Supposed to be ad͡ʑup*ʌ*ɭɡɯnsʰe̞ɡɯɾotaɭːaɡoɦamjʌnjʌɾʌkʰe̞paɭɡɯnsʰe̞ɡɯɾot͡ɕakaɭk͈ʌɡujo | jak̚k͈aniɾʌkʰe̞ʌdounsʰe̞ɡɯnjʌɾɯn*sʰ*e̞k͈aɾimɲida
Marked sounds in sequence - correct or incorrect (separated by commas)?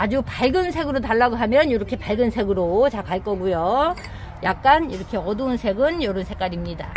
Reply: incorrect, correct